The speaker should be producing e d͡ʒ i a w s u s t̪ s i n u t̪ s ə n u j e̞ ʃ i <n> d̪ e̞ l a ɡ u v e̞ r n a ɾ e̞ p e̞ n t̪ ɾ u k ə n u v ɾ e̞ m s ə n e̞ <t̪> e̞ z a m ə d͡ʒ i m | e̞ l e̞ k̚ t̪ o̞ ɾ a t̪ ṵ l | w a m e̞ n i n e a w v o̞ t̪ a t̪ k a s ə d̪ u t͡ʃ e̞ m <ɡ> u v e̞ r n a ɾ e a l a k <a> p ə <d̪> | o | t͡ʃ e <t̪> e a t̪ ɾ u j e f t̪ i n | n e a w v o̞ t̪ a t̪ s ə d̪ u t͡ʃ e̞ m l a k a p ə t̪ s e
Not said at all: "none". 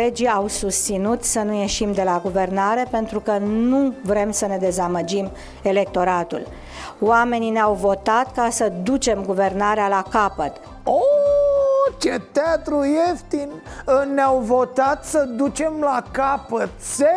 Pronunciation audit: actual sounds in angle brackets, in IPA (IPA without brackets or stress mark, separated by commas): m, d̪, ɡ, a, t̪, t̪